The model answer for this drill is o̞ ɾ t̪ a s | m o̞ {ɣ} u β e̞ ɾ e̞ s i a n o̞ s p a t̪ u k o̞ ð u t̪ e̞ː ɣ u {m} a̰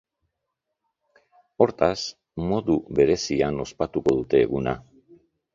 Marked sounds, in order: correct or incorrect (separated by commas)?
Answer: incorrect, incorrect